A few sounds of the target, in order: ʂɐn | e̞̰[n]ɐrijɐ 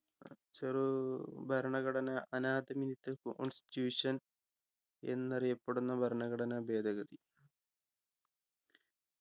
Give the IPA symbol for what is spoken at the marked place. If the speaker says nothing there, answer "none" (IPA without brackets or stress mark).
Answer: nː